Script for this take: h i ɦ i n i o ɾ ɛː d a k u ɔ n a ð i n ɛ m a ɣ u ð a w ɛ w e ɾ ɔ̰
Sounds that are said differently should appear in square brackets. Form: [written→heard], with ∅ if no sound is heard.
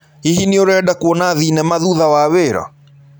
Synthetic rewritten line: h i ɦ i n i o ɾ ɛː d a k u ɔ n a ð i n ɛ m a [ɣ→ð] u ð a w [ɛ→a] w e ɾ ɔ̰